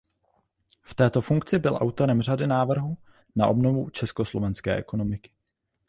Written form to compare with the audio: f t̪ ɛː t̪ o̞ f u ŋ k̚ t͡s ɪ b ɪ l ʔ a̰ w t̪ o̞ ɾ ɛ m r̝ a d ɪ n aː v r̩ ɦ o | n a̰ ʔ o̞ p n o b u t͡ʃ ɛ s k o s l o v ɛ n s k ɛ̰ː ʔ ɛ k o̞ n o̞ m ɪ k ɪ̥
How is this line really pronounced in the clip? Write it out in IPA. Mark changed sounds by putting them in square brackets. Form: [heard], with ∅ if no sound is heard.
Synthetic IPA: f t̪ ɛː t̪ o̞ f u ŋ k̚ t͡s ɪ b ɪ l ʔ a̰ w t̪ o̞ ɾ ɛ m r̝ a d ɪ n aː v r̩ ɦ [u] | n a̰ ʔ o̞ [b] n o [v] u t͡ʃ ɛ s k o s l o v ɛ n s k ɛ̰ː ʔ ɛ k o̞ n o̞ m ɪ k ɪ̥